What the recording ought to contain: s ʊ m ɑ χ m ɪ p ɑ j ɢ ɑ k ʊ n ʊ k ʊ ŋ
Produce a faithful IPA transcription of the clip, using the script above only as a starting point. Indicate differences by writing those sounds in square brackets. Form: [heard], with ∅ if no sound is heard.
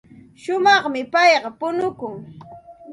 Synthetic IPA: [ʃ] ʊ m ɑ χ m ɪ p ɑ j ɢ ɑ [p] ʊ n ʊ k ʊ ŋ